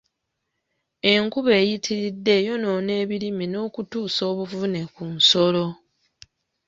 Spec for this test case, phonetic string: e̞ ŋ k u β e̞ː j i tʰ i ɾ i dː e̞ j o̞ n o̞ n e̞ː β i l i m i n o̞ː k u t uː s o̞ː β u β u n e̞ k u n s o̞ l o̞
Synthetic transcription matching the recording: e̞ ŋ k u β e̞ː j i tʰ i ɾ i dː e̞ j o̞ n o̞ n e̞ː β i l i m i n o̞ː k u t uː s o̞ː β u v u n e̞ k u n s o̞ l o̞